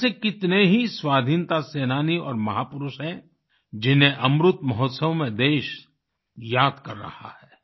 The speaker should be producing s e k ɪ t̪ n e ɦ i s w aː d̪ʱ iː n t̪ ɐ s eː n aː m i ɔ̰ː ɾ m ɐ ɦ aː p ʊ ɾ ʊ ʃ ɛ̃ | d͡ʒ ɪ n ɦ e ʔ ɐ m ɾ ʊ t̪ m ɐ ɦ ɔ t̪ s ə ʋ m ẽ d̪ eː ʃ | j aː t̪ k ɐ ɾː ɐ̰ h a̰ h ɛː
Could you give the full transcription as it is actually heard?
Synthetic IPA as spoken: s e k ɪ t̪ n e ɦ i s w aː d̪ʱ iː n t̪ a s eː n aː n i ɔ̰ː ɾ m ɐ ɦ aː p ʊ ɾ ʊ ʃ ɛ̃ | d͡ʒ ɪ n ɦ e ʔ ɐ m ɾ ʊ t̪ m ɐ ɦ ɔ t̪ s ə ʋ m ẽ d̪ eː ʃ | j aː d̪ k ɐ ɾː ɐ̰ h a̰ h ɛː